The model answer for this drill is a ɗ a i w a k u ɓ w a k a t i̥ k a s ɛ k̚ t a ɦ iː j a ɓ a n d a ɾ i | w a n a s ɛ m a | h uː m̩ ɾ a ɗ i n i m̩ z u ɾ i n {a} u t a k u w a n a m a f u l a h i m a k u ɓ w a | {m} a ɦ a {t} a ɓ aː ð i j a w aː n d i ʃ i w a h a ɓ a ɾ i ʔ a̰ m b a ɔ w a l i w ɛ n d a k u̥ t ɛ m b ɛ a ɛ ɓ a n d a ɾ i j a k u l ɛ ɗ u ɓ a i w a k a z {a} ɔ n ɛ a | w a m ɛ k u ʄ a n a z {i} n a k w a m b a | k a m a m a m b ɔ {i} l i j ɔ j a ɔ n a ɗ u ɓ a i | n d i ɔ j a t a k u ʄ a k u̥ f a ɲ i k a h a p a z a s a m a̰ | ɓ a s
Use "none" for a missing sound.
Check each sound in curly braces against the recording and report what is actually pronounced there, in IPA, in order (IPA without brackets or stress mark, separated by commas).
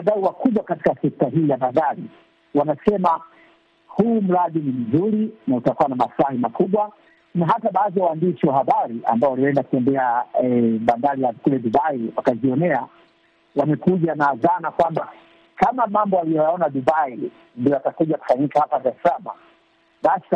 a, n, t, i, a, a